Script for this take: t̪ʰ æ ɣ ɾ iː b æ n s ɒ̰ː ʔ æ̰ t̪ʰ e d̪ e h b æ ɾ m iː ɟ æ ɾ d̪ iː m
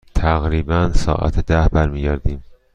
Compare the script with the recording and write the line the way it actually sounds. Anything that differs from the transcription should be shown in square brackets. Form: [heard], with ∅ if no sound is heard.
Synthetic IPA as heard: t̪ʰ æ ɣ ɾ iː b æ n s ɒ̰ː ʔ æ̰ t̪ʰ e d̪ [æ] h b æ ɾ m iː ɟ æ ɾ d̪ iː m